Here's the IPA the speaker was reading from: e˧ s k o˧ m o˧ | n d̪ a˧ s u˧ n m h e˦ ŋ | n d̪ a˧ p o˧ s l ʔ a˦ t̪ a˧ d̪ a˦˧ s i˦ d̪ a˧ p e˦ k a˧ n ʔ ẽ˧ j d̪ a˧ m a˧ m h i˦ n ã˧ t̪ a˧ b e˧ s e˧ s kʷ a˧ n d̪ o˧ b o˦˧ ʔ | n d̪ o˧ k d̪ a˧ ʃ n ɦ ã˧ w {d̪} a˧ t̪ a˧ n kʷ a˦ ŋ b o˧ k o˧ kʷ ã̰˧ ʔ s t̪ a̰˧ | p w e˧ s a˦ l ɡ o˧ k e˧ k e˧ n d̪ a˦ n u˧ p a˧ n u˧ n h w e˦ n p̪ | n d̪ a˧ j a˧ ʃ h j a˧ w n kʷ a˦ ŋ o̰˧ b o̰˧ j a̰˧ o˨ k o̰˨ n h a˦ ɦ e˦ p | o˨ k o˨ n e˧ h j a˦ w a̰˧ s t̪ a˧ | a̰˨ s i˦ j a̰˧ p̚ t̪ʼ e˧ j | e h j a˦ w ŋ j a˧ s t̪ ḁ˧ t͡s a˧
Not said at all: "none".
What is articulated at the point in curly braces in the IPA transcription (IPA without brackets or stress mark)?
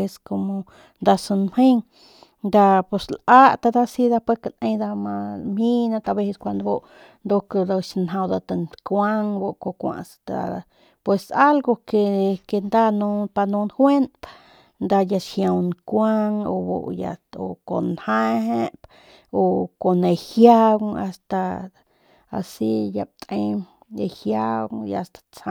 d̪